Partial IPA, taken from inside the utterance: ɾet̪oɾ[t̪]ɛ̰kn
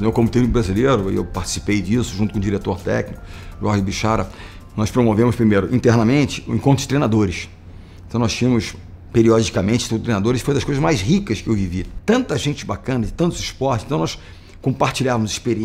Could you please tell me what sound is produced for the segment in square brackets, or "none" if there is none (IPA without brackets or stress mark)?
t̪